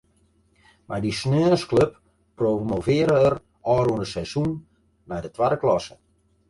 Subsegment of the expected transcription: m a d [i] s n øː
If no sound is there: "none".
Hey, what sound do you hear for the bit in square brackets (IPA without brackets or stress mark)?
i